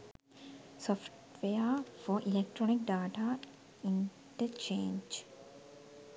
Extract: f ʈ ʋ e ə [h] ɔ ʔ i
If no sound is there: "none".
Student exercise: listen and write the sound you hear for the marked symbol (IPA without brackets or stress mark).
f